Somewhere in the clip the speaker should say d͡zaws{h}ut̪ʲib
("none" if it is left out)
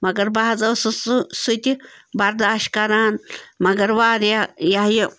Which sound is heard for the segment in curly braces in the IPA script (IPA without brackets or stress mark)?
s